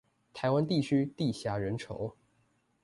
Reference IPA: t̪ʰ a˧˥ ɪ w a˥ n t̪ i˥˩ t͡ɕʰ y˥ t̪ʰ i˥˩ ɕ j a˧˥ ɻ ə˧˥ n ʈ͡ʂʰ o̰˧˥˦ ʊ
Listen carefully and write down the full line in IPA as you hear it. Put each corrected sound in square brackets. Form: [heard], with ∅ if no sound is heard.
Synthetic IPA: t̪ʰ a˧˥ ɪ w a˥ n t̪ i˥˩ t͡ɕʰ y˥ [t̪] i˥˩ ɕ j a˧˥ ɻ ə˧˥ n ʈ͡ʂʰ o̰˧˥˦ ʊ